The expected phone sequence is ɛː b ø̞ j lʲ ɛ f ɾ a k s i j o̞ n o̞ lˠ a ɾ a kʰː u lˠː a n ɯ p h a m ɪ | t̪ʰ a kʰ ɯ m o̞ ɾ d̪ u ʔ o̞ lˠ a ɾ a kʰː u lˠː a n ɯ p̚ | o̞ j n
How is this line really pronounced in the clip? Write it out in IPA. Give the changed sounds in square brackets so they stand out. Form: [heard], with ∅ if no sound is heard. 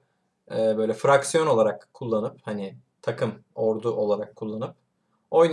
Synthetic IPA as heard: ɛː b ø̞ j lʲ ɛ f ɾ a k s i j o̞ n o̞ lˠ a ɾ a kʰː u lˠː a n ɯ p h a [n] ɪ | t̪ʰ a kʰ ɯ m o̞ ɾ d̪ u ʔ o̞ lˠ a ɾ a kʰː u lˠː a n ɯ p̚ | o̞ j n

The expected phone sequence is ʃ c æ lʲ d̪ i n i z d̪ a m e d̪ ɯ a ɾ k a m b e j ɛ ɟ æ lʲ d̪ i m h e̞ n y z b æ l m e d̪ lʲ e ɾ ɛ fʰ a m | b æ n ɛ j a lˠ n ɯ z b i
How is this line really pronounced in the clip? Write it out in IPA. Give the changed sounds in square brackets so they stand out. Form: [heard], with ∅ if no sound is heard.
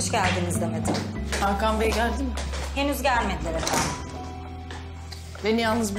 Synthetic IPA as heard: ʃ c æ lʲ d̪ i n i z d̪ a m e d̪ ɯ a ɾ k a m b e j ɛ ɟ æ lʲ d̪ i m h e̞ n y z [ɟ] æ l m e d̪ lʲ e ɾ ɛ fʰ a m | b [e] n [i] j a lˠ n ɯ z b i

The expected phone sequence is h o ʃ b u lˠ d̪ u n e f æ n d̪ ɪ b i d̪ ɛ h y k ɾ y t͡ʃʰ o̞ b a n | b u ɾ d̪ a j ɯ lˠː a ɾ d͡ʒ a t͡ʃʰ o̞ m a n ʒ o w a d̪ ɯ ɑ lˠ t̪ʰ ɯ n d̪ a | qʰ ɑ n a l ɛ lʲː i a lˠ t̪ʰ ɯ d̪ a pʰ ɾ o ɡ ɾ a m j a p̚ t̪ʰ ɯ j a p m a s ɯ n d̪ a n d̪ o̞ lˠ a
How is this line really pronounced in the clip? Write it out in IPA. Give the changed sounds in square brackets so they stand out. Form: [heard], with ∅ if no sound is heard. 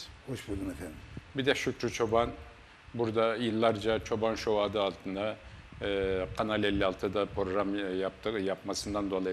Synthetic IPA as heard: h o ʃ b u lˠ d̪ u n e f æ n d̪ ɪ b i d̪ ɛ [ʃ] y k ɾ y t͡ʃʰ o̞ b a n | b u ɾ d̪ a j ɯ lˠː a ɾ d͡ʒ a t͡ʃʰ o̞ [b] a n [ʃ] o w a d̪ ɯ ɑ lˠ t̪ʰ ɯ n d̪ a | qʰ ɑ n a l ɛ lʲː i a lˠ t̪ʰ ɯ d̪ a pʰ ɾ o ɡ ɾ a m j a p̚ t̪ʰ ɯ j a p m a s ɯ n d̪ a n d̪ o̞ lˠ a

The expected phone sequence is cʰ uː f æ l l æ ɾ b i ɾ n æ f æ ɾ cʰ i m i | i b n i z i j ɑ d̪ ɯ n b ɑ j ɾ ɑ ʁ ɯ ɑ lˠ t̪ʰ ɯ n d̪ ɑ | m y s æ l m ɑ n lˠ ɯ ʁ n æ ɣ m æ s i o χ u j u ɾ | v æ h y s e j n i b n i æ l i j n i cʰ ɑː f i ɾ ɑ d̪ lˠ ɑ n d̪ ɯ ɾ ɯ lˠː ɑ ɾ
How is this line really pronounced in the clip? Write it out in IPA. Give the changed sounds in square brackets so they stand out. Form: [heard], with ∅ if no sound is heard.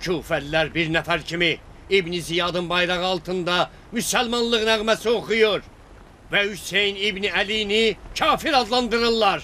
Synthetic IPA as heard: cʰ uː f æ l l æ ɾ b i ɾ n æ f æ ɾ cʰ i m i | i b n i z i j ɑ d̪ ɯ n b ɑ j ɾ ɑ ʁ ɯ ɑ lˠ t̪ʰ ɯ n d̪ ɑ | m y s æ l m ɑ n lˠ ɯ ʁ n æ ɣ m æ s i o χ u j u ɾ | v æ h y s e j n i b n i æ l i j n i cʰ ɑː f i ɾ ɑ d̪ lˠ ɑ n d̪ ɯ ɾ ɯ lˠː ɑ ɾ

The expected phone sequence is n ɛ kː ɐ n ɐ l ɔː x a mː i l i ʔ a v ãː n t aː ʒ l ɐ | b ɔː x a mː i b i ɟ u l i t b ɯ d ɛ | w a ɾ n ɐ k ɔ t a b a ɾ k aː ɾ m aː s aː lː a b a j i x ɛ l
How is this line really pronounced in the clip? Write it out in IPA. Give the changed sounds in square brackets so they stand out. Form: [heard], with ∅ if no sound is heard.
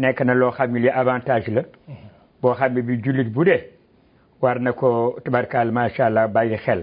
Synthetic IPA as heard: n ɛ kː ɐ n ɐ l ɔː x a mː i l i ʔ a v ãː n t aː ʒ l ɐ | b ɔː x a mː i b i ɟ u l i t b [u] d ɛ | w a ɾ n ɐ k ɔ t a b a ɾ k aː [l] m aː [ʃ] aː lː a b a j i x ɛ l

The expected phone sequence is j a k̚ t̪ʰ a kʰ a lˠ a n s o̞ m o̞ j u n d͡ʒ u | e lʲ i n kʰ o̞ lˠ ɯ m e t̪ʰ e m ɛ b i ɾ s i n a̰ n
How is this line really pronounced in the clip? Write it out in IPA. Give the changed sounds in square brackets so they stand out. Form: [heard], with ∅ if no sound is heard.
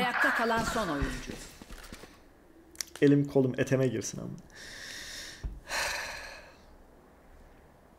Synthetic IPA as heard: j a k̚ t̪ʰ a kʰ a lˠ a n s o̞ [n] o̞ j u n d͡ʒ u | e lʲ i [m] kʰ o̞ lˠ [u] m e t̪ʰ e m ɛ [ɟ] i ɾ s i n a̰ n

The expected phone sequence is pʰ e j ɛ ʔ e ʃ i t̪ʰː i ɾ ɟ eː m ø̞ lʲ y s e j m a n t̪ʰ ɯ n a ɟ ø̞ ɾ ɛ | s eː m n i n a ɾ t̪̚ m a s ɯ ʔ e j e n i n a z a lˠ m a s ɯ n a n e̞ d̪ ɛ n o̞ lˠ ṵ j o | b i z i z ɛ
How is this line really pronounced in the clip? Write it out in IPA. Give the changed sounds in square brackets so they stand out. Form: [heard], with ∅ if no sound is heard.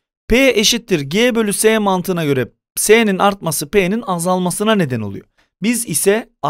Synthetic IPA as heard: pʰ e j ɛ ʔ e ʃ i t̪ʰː i ɾ ɟ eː [b] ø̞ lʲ y s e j m a n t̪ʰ ɯ n a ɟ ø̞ ɾ ɛ | s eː [∅] n i n a ɾ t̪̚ m a s ɯ [p] e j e n i n a z a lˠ m a s ɯ n a n e̞ d̪ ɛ n o̞ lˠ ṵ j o | b i z i [s] ɛ

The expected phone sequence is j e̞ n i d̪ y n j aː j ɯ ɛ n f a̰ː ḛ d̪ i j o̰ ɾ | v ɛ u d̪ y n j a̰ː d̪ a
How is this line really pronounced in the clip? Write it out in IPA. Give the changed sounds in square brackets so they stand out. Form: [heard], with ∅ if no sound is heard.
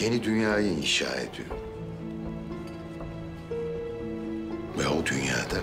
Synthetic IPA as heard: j e̞ n i d̪ y n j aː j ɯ [i] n [ʃ] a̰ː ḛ d̪ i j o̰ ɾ | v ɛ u d̪ y n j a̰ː d̪ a

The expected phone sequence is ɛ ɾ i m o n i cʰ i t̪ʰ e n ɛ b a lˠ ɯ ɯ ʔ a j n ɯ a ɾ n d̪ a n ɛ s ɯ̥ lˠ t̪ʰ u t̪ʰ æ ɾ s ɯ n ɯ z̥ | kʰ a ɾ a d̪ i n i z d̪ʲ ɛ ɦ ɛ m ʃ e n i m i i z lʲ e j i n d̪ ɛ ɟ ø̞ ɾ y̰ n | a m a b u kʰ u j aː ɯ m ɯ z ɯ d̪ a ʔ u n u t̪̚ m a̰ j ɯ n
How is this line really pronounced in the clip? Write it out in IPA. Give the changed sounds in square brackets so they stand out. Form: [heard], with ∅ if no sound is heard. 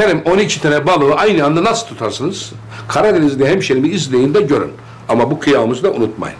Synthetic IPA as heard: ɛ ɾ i m o n i cʰ i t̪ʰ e n ɛ b a lˠ ɯ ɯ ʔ a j n ɯ a [∅] n d̪ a n [a] s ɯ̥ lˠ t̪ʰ u t̪ʰ [a] ɾ s ɯ n ɯ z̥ | kʰ a ɾ a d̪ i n i z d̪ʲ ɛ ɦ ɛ m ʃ e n i m i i z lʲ e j i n d̪ ɛ ɟ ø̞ ɾ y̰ n | a m a b u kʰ [ɯ] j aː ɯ m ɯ z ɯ d̪ a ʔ u n u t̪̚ m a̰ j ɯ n

